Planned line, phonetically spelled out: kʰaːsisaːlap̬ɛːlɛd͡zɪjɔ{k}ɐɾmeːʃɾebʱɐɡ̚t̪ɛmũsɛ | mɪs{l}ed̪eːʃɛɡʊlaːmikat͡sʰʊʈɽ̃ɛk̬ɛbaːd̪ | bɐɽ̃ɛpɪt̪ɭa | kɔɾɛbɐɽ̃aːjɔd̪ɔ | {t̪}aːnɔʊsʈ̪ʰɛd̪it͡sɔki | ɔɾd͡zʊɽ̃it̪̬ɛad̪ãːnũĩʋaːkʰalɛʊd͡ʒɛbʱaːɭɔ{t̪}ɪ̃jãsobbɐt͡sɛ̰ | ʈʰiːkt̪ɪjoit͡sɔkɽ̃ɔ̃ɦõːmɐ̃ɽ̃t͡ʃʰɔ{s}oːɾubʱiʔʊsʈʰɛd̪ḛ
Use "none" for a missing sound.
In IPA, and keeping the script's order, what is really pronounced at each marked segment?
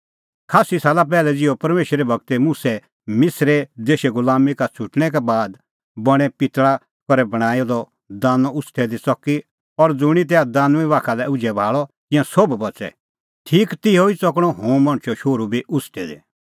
p, ɾ, d̪, t̪, ʃ

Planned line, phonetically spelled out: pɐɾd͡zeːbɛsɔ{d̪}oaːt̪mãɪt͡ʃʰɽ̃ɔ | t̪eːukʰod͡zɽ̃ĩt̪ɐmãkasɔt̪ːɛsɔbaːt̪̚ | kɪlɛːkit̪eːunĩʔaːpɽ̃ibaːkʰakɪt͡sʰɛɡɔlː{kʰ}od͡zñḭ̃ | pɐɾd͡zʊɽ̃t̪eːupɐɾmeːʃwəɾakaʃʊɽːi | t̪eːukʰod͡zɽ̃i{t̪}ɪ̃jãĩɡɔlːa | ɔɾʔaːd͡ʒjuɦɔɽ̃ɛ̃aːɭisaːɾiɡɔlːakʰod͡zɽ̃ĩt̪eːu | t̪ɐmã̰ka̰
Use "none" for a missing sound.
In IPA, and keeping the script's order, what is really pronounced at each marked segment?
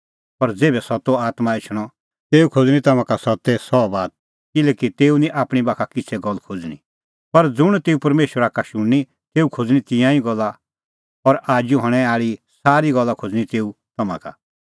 t̪, kʰ, t̪

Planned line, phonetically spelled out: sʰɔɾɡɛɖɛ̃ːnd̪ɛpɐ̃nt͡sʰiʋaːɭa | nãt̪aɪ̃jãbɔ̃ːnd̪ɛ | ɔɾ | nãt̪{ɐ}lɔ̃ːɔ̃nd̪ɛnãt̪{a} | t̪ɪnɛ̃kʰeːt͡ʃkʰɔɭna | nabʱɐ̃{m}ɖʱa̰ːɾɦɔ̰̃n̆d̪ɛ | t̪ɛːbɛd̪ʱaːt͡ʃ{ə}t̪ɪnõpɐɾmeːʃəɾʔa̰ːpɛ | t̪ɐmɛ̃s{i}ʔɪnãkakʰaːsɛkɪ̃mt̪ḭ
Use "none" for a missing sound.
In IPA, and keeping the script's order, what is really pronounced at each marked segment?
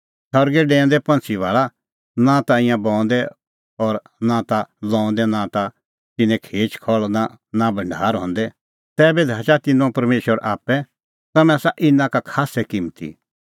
a, a, ɳ, a, a

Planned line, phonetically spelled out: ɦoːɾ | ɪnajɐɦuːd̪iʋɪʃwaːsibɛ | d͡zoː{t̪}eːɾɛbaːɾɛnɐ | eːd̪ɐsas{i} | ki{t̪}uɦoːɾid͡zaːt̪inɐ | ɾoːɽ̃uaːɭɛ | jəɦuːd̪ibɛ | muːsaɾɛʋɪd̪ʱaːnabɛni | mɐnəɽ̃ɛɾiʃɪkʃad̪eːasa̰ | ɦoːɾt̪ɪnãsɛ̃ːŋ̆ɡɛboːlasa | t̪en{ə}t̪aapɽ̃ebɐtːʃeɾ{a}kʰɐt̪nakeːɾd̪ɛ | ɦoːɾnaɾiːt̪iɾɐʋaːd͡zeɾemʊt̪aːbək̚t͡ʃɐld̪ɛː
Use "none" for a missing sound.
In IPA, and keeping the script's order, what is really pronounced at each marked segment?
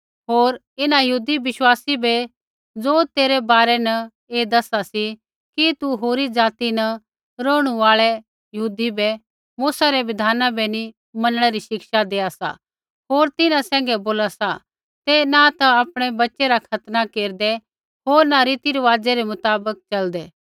t̪, i, t̪, a, a

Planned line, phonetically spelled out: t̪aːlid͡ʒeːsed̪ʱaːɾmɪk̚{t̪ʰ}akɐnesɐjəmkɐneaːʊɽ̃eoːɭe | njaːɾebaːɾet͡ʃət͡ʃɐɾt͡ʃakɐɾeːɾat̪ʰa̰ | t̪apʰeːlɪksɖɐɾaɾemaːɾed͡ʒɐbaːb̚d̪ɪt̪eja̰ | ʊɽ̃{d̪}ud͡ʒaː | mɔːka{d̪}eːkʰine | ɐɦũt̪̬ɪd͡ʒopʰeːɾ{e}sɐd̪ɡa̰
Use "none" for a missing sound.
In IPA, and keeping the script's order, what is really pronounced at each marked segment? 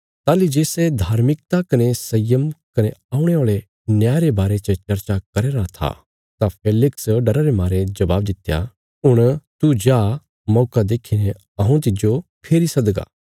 t̪, t̪, d̪, i

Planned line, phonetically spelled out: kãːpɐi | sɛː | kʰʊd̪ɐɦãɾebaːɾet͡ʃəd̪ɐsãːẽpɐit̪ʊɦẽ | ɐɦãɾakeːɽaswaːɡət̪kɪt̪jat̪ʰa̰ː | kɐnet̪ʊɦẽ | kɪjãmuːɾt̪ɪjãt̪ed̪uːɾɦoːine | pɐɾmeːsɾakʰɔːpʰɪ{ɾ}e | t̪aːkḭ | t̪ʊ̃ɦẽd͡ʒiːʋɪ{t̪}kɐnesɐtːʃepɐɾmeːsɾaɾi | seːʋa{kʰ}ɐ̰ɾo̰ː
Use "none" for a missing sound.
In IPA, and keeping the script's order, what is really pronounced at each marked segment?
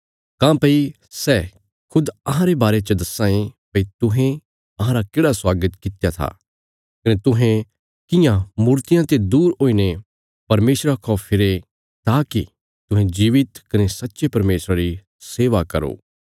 ɾ, t̪, k

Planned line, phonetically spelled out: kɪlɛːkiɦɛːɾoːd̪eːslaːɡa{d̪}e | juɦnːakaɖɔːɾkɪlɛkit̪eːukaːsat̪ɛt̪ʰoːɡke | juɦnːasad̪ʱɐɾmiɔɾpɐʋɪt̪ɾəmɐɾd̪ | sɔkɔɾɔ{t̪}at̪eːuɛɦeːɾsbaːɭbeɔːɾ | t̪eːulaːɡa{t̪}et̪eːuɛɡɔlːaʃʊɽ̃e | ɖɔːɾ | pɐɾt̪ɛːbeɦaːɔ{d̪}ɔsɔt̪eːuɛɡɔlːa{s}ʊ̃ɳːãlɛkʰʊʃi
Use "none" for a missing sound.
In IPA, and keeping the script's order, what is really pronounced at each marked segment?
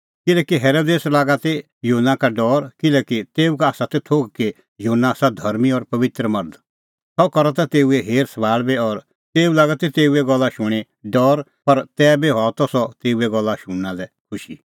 t̪, t̪, t̪, t̪, ʃ

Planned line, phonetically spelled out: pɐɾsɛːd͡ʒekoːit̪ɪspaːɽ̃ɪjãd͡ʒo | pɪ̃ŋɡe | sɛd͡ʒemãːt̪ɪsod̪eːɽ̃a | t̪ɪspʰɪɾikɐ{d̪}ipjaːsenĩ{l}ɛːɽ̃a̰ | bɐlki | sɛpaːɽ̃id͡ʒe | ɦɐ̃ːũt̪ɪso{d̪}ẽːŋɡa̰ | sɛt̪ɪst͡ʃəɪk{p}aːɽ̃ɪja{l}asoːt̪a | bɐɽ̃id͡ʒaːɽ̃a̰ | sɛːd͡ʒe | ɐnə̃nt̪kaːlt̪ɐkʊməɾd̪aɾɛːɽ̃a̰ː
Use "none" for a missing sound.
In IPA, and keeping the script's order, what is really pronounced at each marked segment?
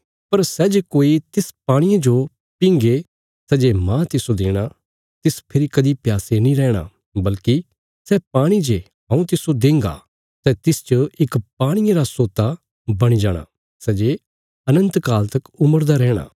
d̪, ɾ, d̪, p, ɾ

